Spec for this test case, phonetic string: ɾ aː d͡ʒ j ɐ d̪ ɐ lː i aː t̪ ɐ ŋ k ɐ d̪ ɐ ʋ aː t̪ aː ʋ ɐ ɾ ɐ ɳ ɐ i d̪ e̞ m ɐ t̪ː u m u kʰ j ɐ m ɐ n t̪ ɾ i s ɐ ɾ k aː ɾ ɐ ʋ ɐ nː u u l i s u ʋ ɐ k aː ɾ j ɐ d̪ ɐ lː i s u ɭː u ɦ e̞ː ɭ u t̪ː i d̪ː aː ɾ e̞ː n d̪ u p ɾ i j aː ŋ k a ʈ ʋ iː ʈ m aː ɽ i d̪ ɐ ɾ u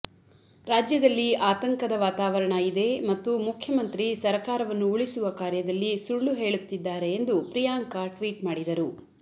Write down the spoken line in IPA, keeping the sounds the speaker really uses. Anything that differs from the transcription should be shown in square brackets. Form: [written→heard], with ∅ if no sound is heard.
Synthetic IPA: ɾ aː d͡ʒ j ɐ d̪ ɐ lː i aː t̪ ɐ ŋ k ɐ d̪ ɐ ʋ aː t̪ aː ʋ ɐ ɾ ɐ ɳ ɐ i d̪ e̞ m ɐ t̪ː u m u kʰ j ɐ m ɐ n t̪ ɾ i s ɐ ɾ k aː ɾ ɐ ʋ ɐ nː u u [l→ɭ] i s u ʋ ɐ k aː ɾ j ɐ d̪ ɐ lː i s u ɭː u ɦ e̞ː ɭ u t̪ː i d̪ː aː ɾ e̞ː n d̪ u p ɾ i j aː ŋ k a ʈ ʋ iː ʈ m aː ɽ i d̪ ɐ ɾ u

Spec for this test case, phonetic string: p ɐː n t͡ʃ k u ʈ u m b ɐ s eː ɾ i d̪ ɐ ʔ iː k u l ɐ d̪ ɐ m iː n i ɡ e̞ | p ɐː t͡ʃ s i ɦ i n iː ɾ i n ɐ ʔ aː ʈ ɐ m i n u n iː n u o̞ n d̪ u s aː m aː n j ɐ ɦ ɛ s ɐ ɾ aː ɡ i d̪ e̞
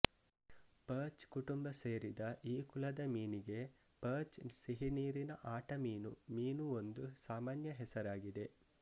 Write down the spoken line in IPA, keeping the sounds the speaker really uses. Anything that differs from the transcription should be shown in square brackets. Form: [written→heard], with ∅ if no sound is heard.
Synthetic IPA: p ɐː [n→∅] t͡ʃ k u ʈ u m b ɐ s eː ɾ i d̪ ɐ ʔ iː k u l ɐ d̪ ɐ m iː n i ɡ e̞ | p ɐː t͡ʃ s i ɦ i n iː ɾ i n ɐ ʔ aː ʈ ɐ m [i→iː] n u [n→m] iː n u o̞ n d̪ u s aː m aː n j ɐ ɦ ɛ s ɐ ɾ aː ɡ i d̪ e̞

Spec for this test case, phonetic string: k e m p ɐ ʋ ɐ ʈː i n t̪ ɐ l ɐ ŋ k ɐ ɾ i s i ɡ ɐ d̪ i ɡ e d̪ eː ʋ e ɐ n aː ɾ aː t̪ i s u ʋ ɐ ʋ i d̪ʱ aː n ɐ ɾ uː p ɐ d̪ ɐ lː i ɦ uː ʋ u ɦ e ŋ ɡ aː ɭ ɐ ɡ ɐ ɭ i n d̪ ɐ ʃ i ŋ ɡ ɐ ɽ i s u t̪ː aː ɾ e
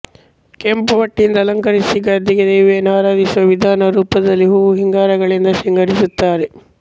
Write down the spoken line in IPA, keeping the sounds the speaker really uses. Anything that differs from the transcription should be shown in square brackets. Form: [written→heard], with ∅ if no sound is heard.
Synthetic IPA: k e m p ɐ ʋ ɐ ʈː i n [t̪→d̪] ɐ l ɐ ŋ k ɐ ɾ i s i ɡ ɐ d̪ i ɡ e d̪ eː ʋ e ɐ n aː ɾ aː [t̪→d̪] i s u ʋ ɐ ʋ i d̪ʱ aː n ɐ ɾ uː p ɐ d̪ ɐ lː i ɦ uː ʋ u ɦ [e→i] ŋ ɡ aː [ɭ→ɾ] ɐ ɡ ɐ ɭ i n d̪ ɐ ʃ i ŋ ɡ ɐ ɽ i s u t̪ː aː ɾ e

